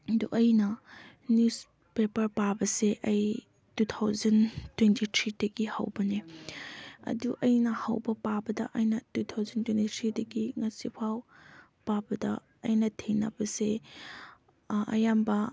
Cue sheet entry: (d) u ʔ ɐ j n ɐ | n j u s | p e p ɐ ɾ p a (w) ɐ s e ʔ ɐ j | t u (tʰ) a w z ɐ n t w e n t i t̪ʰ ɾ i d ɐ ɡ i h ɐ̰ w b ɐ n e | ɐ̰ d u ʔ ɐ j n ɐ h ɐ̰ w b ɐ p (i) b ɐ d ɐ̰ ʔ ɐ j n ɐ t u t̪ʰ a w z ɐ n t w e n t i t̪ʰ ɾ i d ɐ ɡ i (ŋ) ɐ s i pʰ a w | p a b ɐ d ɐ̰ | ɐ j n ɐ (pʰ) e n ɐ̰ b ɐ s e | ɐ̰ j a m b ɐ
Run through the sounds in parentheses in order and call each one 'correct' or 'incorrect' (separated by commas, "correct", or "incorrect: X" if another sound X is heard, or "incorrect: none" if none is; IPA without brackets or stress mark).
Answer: correct, incorrect: b, correct, incorrect: a, correct, incorrect: tʰ